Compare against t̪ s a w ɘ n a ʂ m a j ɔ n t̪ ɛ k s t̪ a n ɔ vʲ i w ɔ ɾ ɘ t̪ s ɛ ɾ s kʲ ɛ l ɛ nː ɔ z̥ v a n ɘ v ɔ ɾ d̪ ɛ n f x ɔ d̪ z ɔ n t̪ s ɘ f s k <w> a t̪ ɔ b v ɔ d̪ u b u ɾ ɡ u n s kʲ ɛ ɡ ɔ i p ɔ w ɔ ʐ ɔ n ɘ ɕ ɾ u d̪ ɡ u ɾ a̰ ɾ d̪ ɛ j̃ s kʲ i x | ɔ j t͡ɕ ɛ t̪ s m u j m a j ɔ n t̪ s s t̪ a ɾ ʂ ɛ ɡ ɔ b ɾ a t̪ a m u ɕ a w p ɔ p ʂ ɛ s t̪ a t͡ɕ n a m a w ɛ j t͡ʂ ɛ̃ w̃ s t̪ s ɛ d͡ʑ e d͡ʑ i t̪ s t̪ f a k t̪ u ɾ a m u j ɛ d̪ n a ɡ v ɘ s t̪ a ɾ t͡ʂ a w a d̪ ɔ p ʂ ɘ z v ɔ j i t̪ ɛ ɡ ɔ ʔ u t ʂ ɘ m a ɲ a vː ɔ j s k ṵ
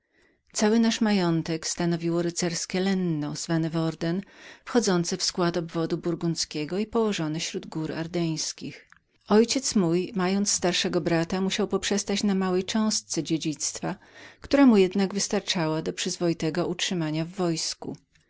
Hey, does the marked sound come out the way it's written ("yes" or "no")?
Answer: yes